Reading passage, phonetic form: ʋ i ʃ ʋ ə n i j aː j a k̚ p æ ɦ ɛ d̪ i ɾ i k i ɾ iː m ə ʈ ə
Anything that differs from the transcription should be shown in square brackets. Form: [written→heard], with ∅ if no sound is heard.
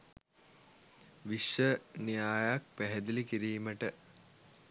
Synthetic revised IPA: ʋ i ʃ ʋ ə n i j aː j a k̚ p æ ɦ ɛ d̪ i [ɾ→l] i k i ɾ iː m ə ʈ ə